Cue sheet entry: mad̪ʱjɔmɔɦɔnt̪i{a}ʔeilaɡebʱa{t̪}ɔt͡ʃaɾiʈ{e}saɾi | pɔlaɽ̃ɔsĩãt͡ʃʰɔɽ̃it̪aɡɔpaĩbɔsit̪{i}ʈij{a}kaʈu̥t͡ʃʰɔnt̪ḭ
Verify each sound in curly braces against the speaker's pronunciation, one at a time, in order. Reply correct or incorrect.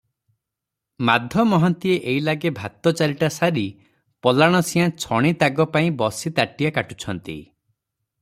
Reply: incorrect: e, correct, incorrect: a, incorrect: a, correct

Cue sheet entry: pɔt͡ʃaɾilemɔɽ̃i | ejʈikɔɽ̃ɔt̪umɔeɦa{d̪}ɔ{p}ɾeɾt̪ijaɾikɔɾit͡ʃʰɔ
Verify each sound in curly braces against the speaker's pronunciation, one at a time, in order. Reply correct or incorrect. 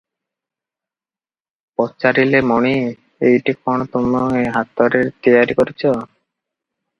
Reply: incorrect: t̪, incorrect: none

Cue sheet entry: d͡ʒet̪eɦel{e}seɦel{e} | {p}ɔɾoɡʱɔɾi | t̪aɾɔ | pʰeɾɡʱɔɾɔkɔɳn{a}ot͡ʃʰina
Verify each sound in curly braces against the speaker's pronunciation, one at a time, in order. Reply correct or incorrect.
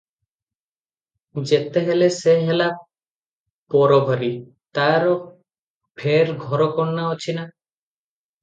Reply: correct, incorrect: a, correct, correct

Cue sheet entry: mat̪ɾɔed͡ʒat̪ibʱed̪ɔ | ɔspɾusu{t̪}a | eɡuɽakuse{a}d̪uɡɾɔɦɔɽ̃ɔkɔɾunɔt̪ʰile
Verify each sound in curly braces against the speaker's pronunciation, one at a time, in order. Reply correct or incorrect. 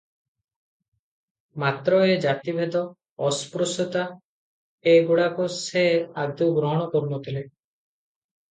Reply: correct, correct

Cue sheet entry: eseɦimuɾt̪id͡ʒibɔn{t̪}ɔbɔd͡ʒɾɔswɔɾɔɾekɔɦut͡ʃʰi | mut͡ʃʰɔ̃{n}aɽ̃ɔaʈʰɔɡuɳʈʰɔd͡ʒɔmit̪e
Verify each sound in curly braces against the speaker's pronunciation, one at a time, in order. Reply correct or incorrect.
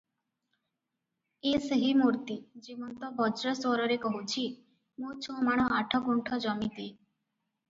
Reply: correct, incorrect: m

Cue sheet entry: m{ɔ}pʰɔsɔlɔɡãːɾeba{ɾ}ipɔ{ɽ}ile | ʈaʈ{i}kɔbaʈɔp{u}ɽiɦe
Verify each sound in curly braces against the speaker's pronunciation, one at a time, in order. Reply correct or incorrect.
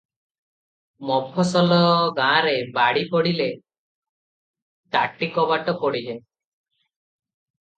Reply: correct, incorrect: ɽ, correct, correct, incorrect: ɔ

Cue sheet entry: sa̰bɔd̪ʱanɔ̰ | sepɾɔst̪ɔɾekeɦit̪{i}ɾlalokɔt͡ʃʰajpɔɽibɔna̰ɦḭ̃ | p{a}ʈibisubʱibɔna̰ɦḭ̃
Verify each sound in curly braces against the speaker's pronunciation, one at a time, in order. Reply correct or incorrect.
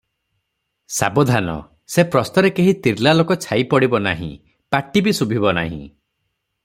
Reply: correct, correct

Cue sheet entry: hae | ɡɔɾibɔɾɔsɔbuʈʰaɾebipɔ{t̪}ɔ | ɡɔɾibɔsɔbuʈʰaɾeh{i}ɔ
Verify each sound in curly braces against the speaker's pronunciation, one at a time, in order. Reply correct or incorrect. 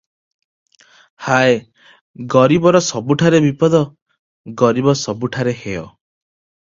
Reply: incorrect: d̪, incorrect: e

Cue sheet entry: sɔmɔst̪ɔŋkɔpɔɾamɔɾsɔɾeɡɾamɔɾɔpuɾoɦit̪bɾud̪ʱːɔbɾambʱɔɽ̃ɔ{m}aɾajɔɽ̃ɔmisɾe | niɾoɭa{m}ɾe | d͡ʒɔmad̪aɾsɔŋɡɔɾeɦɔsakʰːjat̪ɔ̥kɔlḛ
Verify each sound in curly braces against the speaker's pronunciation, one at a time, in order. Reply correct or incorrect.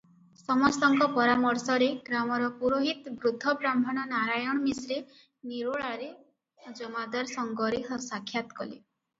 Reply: incorrect: n, incorrect: none

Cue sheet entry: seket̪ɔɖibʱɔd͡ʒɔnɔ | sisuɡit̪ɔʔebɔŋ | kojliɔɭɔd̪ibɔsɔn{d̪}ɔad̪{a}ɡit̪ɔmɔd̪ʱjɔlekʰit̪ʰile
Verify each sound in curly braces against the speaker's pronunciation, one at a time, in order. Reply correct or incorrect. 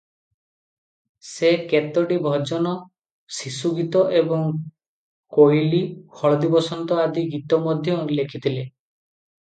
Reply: incorrect: t̪, incorrect: i

